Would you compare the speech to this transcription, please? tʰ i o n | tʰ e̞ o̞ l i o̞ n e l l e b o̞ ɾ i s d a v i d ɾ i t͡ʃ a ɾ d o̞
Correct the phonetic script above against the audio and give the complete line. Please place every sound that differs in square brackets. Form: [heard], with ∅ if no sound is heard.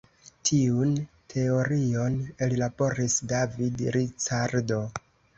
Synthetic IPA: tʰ i [u] n | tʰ e̞ o̞ [ɾ] i o̞ n e l l [a] b o̞ ɾ i s d a v i d ɾ i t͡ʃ a ɾ d o̞

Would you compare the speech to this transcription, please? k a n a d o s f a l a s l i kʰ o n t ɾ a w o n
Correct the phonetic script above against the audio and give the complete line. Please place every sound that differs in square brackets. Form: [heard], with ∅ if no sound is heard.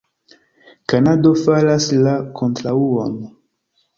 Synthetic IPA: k a n a d o [∅] f a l a s l [a] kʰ o n t ɾ a [u] o n

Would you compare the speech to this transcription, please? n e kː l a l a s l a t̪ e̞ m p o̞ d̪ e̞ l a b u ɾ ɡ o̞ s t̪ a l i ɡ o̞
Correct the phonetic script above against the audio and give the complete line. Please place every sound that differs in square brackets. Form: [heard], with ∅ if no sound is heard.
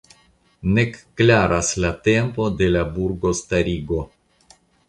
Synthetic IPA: n e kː l a [ɾ] a s l a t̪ e̞ m p o̞ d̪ e̞ l a b u ɾ ɡ o̞ s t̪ a [ɾ] i ɡ o̞

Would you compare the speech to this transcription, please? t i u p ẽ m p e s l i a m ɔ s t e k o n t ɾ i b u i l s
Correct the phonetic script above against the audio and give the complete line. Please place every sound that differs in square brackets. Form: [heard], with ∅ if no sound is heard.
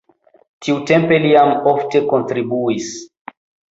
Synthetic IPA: t i u [t] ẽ m p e [∅] l i a m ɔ [f] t e k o n t ɾ i b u i [∅] s

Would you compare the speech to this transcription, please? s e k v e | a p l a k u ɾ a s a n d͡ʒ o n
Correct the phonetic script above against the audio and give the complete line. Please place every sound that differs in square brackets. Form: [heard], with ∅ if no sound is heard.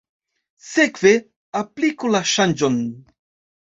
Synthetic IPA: s e k v e | a p l [i] k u [l] a [ʃ] a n d͡ʒ o n

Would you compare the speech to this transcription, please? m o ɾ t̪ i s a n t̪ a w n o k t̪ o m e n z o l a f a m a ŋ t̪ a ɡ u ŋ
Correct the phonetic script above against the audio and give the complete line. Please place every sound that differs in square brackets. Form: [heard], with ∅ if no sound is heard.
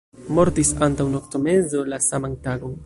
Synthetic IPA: m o ɾ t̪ i s a n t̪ a w n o k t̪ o m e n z o l a [s] a m a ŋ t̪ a ɡ [o] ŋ

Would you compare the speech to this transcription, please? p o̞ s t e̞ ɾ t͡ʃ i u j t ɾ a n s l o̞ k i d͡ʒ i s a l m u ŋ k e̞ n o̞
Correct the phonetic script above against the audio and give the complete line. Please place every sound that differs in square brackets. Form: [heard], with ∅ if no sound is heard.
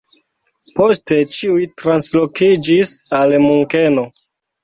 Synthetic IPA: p o̞ s t e̞ [∅] t͡ʃ i u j t ɾ a n s l o̞ k i d͡ʒ i s a l m u ŋ k e̞ n o̞

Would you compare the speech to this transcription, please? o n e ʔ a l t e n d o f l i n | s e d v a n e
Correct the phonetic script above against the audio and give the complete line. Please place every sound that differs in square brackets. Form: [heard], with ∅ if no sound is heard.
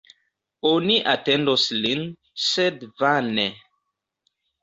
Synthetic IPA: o n [i] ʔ a [∅] t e n d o [s] l i n | s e d v a n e

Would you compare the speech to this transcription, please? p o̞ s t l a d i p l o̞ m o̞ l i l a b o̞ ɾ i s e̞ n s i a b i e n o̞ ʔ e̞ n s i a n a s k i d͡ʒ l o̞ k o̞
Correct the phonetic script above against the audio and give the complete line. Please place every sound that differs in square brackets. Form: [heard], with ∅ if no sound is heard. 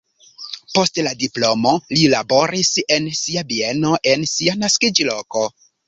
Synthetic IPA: p o̞ s t l a d i p l o̞ m o̞ l i l a b o̞ ɾ i s e̞ n s i a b i e n o̞ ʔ e̞ n s i a n a s k i d͡ʒ l o̞ k o̞

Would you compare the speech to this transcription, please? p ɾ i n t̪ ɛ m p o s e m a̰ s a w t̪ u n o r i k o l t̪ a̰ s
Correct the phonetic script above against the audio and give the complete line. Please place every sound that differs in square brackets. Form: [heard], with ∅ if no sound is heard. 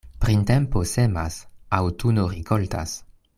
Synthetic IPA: p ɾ i n t̪ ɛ m p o s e m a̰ s a w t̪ u n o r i k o l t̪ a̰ s

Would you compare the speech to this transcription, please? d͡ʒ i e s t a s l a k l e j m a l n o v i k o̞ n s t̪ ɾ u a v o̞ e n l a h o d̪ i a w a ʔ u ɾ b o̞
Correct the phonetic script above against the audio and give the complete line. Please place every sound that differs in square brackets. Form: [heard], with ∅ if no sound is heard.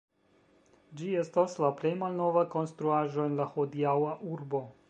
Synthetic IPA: d͡ʒ i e s t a s l a [p] l e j m a l n o v [a] k o̞ n s t̪ ɾ u a [ʒ] o̞ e n l a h o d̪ i a w a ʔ u ɾ b o̞

